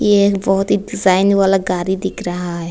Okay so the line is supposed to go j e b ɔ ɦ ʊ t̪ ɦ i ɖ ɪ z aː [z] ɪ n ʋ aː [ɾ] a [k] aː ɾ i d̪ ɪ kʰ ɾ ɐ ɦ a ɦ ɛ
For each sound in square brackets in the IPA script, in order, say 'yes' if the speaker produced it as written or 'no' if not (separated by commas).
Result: no, no, no